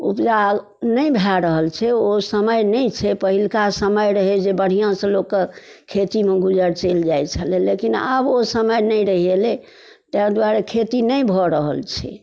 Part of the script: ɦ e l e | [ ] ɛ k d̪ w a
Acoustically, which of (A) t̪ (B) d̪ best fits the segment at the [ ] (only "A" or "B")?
A